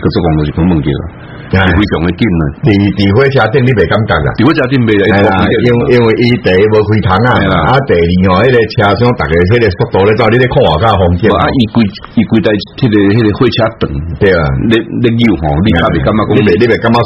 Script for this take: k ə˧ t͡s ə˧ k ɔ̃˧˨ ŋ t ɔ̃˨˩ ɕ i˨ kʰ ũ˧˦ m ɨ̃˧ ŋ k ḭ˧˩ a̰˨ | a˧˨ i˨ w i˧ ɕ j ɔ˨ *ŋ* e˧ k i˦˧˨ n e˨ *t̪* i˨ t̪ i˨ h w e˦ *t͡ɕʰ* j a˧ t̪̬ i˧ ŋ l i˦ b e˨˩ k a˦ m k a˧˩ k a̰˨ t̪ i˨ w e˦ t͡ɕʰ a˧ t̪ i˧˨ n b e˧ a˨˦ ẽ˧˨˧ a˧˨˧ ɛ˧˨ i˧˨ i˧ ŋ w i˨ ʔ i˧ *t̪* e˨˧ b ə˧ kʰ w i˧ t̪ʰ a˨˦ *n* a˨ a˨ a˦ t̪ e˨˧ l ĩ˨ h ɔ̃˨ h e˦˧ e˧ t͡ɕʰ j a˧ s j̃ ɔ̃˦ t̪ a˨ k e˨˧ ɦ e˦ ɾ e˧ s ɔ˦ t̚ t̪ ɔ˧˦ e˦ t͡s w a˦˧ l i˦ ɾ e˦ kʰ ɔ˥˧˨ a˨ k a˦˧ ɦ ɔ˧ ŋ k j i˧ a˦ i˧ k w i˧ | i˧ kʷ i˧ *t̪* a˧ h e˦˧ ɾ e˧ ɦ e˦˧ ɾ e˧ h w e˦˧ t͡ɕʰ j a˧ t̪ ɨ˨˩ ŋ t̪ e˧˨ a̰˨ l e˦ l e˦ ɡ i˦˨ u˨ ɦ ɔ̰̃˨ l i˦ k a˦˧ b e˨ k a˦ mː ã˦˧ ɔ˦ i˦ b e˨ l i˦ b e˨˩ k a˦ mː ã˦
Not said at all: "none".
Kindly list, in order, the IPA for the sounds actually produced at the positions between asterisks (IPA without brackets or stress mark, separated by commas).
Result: ŋ, t̪, t͡ɕʰ, t̪, ŋ, t̪